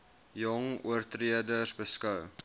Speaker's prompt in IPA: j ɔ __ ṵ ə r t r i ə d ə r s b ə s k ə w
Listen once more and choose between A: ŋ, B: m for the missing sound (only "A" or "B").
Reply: A